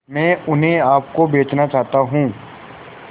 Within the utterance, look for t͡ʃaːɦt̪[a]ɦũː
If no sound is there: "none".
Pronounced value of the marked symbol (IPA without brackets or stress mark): a